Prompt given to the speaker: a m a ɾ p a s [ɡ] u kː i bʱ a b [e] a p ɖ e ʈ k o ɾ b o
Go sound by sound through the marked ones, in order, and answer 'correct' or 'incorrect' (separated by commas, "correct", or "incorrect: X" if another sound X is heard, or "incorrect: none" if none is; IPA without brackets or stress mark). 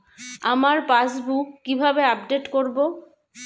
incorrect: b, correct